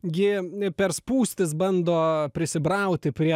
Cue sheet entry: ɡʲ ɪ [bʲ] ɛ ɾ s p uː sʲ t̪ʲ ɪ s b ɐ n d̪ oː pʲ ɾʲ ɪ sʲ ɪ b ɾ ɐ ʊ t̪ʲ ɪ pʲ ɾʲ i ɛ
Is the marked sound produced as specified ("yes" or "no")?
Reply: no